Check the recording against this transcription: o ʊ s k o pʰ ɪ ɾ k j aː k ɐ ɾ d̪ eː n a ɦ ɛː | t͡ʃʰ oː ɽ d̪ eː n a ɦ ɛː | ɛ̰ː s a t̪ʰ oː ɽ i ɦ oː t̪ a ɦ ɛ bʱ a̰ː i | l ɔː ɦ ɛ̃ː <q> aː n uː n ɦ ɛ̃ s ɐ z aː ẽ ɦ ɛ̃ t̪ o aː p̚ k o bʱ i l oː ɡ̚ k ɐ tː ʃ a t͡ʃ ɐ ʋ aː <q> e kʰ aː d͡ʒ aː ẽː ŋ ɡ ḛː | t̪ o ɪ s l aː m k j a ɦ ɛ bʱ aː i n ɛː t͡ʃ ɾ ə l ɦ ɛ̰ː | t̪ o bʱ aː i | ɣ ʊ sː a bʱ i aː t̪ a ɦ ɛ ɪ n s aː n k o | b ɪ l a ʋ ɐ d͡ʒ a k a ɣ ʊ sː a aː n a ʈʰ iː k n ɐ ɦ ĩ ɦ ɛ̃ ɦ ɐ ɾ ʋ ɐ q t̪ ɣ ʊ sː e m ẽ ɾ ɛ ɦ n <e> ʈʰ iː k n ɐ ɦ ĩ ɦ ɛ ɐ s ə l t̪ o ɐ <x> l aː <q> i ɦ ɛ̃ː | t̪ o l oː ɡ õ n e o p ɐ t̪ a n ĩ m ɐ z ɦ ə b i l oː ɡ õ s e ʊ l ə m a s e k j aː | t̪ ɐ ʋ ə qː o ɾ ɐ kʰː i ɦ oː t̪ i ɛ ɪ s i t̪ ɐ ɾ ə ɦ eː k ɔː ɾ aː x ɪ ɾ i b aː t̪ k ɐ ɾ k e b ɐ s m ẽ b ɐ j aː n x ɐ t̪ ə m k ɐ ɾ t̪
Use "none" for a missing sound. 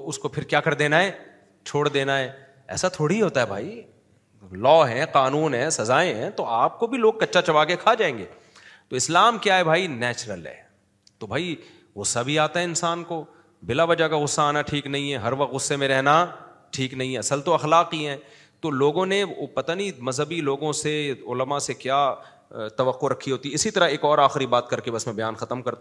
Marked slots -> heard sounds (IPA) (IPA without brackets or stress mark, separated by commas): q, k, a, x, q